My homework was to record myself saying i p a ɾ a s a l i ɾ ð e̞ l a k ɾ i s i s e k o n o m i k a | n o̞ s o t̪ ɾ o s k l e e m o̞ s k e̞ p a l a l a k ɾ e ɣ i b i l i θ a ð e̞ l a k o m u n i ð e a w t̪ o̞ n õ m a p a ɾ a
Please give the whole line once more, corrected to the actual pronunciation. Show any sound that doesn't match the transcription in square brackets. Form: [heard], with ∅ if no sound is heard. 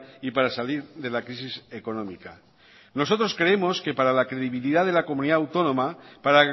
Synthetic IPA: i p a ɾ a s a l i ɾ ð e̞ l a k ɾ i s i s e k o n o m i k a | n o̞ s o t̪ ɾ o s k [ɾ] e e m o̞ s k e̞ p a [ɾ] a l a k ɾ e [ð] i [β] i l i [ð] a ð e̞ l a k o m u n i ð [a] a w t̪ o̞ n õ m a p a ɾ a